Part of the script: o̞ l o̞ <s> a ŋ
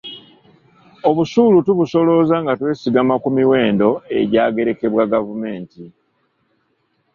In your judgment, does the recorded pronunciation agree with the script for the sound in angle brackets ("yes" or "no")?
no